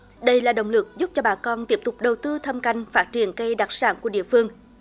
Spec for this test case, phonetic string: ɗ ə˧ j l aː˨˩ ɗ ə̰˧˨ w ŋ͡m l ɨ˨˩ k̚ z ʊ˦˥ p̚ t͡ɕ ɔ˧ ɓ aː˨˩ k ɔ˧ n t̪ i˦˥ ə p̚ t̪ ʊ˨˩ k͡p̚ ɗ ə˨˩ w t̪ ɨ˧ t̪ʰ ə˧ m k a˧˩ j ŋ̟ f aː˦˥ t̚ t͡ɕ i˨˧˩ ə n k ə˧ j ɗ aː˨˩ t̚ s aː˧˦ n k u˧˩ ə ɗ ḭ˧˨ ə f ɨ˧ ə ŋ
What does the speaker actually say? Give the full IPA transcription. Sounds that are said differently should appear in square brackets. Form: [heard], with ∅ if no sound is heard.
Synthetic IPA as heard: ɗ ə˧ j l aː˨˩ ɗ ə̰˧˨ w ŋ͡m l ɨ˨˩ k̚ z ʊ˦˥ p̚ t͡ɕ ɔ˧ ɓ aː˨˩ k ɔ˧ n t̪ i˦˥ ə p̚ t̪ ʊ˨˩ k͡p̚ ɗ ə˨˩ w t̪ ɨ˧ t̪ʰ ə˧ m k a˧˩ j ŋ̟ f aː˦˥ t̚ t͡ɕ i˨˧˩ ə n k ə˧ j ɗ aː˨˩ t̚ s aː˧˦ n k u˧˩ ə ɗ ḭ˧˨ ə f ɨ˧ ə ŋ